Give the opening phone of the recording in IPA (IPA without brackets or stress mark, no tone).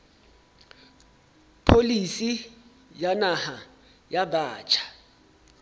pʰ